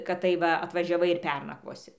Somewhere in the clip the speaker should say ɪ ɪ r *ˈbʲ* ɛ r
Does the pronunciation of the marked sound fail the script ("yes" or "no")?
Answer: yes